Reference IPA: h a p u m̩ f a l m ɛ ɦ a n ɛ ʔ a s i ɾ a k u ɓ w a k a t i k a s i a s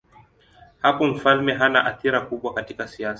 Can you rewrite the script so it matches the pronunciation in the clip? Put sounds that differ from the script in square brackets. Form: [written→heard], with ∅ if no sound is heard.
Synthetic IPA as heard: h a p [u→ɔ] m̩ f a l m ɛ ɦ a n [ɛ→a] ʔ a [s→θ] i ɾ a k u ɓ w a k a t i k a s i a s